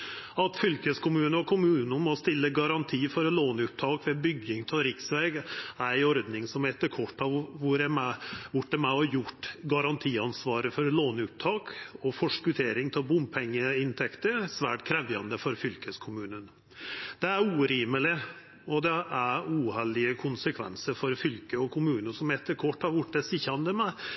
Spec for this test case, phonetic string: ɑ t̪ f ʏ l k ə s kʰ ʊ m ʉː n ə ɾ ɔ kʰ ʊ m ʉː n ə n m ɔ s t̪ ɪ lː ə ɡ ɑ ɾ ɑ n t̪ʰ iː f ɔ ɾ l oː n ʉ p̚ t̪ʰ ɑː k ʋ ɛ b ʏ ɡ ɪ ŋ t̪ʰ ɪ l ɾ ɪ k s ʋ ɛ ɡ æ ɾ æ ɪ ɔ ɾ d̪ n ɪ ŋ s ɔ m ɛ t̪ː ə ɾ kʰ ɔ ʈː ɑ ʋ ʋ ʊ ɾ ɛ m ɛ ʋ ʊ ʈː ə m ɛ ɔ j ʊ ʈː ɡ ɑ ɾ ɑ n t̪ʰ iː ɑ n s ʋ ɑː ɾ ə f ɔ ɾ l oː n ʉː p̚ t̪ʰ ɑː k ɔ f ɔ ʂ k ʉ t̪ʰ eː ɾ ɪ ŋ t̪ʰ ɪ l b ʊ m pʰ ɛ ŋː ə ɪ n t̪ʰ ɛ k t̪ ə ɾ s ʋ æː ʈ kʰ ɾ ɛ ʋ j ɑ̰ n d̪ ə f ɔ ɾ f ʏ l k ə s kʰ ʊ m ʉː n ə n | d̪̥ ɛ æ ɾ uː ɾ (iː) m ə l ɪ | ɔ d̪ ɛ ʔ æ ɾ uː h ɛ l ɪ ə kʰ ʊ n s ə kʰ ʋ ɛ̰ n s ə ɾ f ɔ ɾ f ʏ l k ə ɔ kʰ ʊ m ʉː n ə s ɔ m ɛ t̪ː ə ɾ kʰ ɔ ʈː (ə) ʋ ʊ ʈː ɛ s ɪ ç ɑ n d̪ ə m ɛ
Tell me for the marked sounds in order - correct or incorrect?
correct, incorrect: ɑ

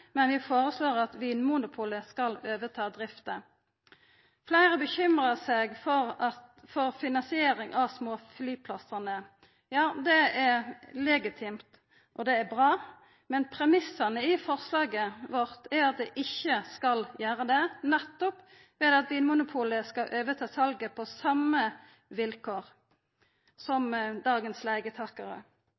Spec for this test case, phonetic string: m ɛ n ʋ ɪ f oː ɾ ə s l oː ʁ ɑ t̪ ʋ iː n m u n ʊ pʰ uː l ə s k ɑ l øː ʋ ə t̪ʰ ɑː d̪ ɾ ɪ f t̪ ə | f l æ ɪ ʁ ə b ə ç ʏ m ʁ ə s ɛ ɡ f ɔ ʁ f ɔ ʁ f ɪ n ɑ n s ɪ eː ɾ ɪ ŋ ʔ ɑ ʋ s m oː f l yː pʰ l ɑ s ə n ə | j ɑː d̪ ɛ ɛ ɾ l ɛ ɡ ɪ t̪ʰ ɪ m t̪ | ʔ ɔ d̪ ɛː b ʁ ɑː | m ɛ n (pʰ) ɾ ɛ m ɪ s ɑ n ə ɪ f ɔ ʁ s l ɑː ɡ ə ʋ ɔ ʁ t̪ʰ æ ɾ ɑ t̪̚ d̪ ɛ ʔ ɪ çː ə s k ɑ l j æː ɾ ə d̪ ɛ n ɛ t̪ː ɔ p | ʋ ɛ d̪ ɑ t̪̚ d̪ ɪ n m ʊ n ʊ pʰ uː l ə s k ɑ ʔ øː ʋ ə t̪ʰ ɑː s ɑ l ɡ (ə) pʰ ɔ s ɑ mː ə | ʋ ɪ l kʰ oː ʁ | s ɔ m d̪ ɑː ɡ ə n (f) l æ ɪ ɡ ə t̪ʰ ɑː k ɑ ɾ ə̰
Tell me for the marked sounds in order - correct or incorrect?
correct, correct, incorrect: s

